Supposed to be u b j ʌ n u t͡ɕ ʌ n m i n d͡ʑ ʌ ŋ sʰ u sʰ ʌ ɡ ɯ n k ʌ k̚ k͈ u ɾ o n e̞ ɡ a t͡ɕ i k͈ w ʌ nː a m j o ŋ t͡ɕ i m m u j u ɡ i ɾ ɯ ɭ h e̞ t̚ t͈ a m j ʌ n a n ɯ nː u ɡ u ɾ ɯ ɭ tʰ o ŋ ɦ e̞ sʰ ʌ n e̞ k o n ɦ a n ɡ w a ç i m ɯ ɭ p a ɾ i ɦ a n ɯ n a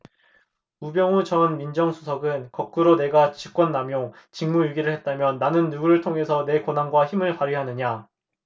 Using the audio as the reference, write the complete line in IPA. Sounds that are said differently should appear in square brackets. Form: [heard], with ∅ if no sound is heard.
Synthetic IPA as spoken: u b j ʌ [ŋ] u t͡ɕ ʌ n m i n d͡ʑ ʌ ŋ sʰ u sʰ ʌ ɡ ɯ n k ʌ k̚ k͈ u ɾ o n e̞ ɡ a t͡ɕ i k͈ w ʌ nː a m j o ŋ t͡ɕ i [ŋ] m u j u ɡ i ɾ ɯ ɭ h e̞ t̚ t͈ a m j ʌ [nː] a n ɯ nː u ɡ u ɾ ɯ ɭ tʰ o ŋ ɦ e̞ sʰ ʌ n e̞ k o n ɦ a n ɡ w a ç i m ɯ ɭ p a ɾ i ɦ a n ɯ [ɲ] a